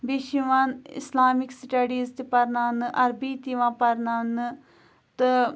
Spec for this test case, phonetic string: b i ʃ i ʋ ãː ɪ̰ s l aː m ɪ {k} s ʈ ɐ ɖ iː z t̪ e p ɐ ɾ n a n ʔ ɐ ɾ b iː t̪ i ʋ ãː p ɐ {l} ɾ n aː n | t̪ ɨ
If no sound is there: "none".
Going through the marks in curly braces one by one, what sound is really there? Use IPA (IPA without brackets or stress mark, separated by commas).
k, none